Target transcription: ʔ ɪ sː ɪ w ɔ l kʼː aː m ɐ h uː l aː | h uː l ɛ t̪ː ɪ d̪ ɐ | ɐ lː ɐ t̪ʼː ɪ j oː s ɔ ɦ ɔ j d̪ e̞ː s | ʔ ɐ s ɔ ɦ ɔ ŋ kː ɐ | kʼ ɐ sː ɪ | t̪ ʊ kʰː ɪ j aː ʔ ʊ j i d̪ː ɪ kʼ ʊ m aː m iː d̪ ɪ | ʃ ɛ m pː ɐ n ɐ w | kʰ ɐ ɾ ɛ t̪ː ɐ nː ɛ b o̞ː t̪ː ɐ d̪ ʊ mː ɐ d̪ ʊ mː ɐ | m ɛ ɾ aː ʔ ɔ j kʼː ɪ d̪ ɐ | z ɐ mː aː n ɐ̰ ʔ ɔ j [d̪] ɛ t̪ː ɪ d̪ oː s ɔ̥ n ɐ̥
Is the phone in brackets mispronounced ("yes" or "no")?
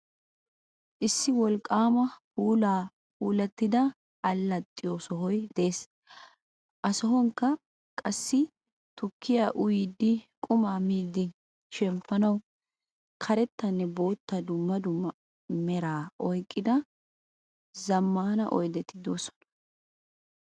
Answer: no